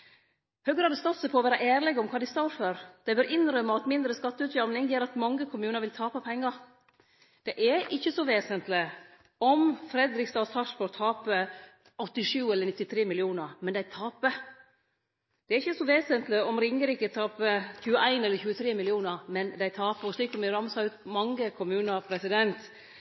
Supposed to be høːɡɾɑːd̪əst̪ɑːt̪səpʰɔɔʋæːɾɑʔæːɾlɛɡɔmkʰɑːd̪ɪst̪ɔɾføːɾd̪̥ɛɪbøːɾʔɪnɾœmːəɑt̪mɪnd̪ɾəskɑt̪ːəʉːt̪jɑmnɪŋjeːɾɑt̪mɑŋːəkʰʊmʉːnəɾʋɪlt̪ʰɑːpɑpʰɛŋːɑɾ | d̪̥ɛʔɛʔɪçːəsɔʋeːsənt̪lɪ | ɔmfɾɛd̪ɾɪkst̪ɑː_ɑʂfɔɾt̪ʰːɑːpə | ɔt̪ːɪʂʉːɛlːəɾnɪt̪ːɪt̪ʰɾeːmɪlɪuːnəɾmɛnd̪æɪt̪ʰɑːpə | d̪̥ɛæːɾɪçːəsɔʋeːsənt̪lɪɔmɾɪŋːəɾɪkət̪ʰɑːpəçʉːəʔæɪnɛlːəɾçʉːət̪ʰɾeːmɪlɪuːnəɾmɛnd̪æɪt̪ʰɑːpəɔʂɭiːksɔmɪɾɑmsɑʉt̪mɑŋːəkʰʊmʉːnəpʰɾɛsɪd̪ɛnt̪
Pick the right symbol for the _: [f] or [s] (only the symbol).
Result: s